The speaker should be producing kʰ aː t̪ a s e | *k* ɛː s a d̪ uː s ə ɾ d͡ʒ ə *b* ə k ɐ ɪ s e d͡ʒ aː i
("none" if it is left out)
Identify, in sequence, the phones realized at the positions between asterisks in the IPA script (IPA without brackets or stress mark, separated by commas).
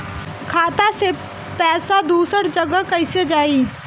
p, ɡ